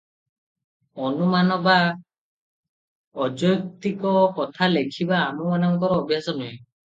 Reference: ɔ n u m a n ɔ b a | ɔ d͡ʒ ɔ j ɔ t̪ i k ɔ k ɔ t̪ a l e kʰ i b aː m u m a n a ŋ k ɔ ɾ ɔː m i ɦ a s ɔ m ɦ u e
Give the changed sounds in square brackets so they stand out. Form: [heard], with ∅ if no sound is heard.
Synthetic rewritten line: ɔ n u m a n ɔ b a | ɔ d͡ʒ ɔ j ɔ t̪ i k ɔ k ɔ [t̪ʰ] a l e kʰ i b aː m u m a n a ŋ k ɔ ɾ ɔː [b] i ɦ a s ɔ [n] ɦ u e

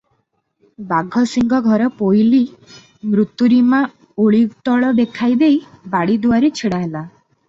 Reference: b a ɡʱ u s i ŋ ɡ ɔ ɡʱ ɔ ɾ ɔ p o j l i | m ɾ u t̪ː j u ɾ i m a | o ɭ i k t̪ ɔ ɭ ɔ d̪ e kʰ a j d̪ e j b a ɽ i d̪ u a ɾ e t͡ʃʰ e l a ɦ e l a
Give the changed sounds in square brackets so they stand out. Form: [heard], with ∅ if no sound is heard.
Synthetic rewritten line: b a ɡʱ [ɔ] s i ŋ ɡ ɔ ɡʱ ɔ ɾ ɔ p o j l i | m ɾ u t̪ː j u ɾ i m a | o ɭ i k t̪ ɔ ɭ ɔ d̪ e kʰ a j d̪ e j b a ɽ i d̪ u a ɾ e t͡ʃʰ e [ɽ] a ɦ e l a

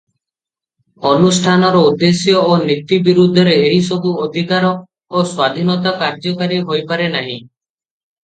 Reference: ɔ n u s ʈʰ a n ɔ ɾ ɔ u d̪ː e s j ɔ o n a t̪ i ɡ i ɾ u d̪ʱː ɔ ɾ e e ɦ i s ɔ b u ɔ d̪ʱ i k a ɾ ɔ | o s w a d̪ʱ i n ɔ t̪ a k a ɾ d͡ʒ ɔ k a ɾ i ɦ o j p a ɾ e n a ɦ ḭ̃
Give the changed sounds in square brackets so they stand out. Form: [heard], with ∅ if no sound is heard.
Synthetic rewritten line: ɔ n u s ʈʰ a n ɔ ɾ ɔ u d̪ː e s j ɔ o n [i] t̪ i [b] i ɾ u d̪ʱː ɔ ɾ e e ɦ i s ɔ b u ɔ d̪ʱ i k a ɾ ɔ | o s w a d̪ʱ i n ɔ t̪ a k a ɾ d͡ʒ ɔ k a ɾ i ɦ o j p a ɾ e n a ɦ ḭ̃

